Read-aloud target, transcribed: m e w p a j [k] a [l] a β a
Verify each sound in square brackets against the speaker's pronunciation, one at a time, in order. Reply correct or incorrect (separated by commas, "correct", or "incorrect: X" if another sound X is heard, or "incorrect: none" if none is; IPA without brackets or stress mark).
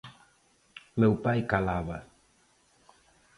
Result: correct, correct